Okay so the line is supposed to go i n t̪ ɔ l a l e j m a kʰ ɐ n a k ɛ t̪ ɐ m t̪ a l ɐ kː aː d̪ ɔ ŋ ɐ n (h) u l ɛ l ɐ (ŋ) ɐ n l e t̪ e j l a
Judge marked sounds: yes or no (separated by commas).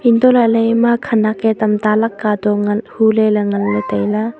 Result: yes, yes